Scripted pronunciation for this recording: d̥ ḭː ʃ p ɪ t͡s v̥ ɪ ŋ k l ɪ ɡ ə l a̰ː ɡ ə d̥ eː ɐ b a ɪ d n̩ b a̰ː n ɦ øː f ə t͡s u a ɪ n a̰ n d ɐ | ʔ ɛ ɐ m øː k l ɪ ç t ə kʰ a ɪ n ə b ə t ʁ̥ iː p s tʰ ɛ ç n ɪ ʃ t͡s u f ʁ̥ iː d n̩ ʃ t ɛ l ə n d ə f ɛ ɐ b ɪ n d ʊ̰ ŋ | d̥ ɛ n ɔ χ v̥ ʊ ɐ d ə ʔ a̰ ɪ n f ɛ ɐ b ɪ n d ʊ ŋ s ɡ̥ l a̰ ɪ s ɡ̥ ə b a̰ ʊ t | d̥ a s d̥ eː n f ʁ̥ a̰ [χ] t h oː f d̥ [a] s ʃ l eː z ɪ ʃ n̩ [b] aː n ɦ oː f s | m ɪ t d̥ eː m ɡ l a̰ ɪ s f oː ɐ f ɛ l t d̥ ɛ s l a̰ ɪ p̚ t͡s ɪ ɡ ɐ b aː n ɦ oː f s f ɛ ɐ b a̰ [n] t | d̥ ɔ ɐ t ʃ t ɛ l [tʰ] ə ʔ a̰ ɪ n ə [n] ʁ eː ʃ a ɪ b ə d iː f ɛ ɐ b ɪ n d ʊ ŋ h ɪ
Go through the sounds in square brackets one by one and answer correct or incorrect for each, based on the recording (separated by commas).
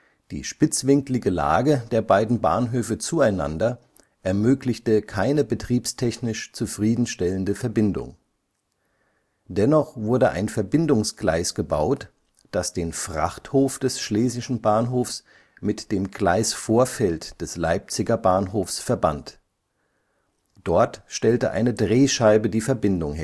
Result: correct, incorrect, correct, correct, incorrect, incorrect